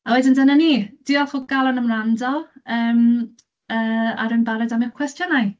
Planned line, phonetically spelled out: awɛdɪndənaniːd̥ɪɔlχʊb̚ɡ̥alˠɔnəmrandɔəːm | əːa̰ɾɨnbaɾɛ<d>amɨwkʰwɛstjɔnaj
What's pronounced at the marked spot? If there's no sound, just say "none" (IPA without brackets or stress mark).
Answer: d